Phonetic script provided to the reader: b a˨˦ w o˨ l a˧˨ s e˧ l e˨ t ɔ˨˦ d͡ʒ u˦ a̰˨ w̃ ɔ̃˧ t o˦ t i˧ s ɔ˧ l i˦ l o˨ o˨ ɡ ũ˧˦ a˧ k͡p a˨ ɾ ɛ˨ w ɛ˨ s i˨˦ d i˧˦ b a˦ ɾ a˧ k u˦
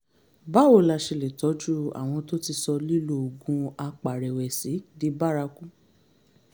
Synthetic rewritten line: b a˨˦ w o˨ l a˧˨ ʃ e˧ l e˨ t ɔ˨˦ d͡ʒ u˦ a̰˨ w̃ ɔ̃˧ t o˦ t i˧ s ɔ˧ l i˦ l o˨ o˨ ɡ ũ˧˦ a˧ k͡p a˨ ɾ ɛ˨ w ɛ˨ s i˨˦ d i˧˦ b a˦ ɾ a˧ k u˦